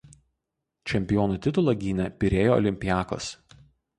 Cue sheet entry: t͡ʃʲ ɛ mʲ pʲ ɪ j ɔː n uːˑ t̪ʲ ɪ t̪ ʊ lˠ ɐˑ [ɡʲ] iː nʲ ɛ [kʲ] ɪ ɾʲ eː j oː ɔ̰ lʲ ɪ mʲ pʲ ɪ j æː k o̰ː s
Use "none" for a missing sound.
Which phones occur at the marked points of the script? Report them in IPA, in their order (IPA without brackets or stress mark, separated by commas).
ɡʲ, pʲ